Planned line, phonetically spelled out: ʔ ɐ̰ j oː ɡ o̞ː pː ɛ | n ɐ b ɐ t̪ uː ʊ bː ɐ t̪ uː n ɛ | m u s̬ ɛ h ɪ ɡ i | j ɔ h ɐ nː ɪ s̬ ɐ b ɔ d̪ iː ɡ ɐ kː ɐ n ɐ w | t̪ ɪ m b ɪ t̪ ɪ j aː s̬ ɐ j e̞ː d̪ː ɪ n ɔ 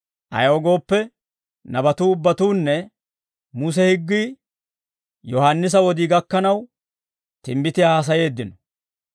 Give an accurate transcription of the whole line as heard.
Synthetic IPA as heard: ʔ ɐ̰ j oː ɡ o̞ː pː ɛ | n ɐ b ɐ t̪ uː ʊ bː ɐ t̪ uː nː ɛ | m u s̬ ɛ h ɪ ɡː i | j ɔ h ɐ nː ɪ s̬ ɐ w ɔ d̪ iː ɡ ɐ kː ɐ n ɐ w | t̪ ɪ m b ɪ t̪ ɪ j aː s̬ ɐ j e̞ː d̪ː ɪ n ɔ